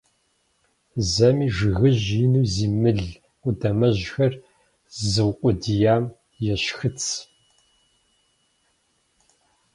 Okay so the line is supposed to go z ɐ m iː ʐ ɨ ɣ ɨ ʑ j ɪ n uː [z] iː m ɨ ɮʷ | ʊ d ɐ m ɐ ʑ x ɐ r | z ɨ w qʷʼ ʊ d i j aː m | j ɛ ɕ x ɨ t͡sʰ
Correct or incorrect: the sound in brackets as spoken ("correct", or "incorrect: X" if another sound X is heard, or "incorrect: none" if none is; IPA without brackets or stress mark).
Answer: correct